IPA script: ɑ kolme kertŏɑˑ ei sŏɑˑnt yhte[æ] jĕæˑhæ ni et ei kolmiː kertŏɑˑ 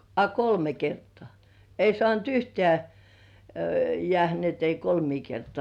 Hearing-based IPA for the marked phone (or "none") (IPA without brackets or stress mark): æ